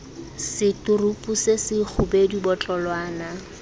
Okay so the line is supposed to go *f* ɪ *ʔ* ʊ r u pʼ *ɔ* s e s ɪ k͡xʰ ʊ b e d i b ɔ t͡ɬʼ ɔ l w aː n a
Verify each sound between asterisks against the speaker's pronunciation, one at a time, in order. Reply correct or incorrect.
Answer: incorrect: s, incorrect: t, incorrect: u

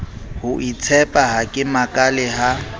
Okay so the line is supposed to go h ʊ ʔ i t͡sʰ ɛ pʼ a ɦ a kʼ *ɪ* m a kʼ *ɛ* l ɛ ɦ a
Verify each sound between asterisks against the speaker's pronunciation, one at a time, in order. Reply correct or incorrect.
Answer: correct, incorrect: a

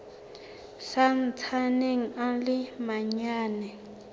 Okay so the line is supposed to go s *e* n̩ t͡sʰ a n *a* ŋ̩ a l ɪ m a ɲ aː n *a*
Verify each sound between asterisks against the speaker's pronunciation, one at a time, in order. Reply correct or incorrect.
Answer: incorrect: a, incorrect: e, incorrect: ɛ

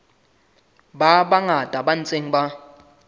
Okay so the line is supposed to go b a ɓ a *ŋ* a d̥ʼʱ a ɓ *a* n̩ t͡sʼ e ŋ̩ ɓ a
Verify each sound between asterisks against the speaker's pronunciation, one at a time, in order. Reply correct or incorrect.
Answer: correct, correct

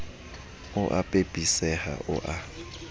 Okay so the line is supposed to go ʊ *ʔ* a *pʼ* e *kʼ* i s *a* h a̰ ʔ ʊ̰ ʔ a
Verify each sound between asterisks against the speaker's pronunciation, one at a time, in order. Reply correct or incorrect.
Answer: correct, correct, incorrect: pʼ, incorrect: ɛ

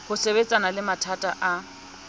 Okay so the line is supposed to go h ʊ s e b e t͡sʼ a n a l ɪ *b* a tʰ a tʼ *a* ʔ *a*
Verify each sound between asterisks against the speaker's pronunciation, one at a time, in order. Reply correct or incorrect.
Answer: incorrect: m, correct, correct

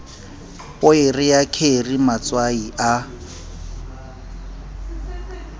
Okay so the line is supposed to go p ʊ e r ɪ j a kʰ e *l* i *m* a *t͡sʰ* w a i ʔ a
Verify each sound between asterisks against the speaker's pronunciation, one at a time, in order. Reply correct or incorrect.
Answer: incorrect: r, correct, incorrect: t͡s

